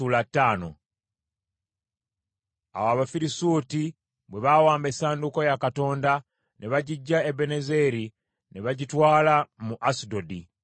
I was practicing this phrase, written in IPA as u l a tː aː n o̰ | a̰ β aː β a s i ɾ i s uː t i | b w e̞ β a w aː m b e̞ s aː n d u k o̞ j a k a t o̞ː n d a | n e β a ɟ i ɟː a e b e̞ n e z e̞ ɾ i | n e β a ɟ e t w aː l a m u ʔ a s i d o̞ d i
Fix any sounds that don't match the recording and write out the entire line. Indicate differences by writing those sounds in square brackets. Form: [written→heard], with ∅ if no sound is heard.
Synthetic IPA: u l a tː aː n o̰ | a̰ [β→w] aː β a [s→f] i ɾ i s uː t i | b w e̞ β a w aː m b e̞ s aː n d u k o̞ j a k a t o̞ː n d a | n e β a ɟ i ɟː a e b e̞ n e z e̞ ɾ i | n e β a ɟ [e→i] t w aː l a m u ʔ a s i d o̞ d i